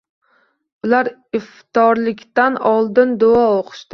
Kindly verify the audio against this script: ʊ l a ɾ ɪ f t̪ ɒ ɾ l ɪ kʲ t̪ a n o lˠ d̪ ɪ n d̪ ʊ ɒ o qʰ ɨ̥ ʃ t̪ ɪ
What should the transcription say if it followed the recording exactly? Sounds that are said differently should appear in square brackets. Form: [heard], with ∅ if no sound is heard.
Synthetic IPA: ʊ l a ɾ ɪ f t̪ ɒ ɾ l ɪ kʲ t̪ a n [ɒ] lˠ d̪ ɪ n d̪ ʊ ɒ o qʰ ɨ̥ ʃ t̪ ɪ